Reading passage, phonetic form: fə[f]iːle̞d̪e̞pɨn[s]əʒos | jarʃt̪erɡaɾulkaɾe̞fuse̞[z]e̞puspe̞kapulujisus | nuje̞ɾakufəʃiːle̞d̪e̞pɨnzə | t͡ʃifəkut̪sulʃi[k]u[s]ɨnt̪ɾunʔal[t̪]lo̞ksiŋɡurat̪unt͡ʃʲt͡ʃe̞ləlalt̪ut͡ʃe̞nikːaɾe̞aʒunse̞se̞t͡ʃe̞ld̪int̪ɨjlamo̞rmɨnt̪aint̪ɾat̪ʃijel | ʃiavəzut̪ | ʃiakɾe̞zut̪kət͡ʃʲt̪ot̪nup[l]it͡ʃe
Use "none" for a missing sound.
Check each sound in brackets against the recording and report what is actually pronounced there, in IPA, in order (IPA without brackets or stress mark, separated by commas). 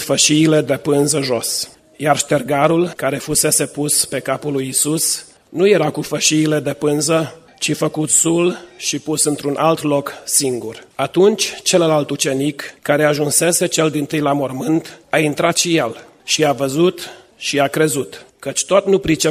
ʃ, z, s, p, s, t̪, ɾ